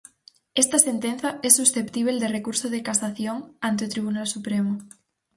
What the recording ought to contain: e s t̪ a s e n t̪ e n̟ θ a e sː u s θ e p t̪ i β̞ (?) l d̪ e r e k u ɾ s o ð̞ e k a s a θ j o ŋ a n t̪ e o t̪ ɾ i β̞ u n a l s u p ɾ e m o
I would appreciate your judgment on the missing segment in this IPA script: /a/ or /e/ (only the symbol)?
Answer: e